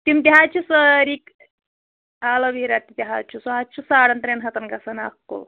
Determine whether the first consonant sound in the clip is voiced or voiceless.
voiceless